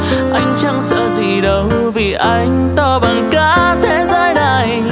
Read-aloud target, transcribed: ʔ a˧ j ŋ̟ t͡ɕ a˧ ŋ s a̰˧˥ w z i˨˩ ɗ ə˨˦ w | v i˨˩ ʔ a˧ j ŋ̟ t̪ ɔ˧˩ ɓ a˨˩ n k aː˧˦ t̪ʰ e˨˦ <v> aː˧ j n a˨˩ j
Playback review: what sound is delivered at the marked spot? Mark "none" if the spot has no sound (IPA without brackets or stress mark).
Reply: z